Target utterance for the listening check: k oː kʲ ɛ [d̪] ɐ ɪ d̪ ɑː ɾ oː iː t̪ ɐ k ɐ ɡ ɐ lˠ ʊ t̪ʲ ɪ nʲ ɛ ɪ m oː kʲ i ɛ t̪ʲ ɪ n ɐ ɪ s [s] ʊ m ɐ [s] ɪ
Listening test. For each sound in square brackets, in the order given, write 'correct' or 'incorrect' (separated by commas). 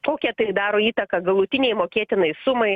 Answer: incorrect, correct, incorrect